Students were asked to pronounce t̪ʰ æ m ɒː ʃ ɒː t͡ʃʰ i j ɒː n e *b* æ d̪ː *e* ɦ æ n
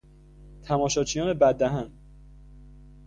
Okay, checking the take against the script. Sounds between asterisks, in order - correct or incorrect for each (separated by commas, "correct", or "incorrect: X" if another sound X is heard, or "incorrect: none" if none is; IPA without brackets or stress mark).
correct, incorrect: æ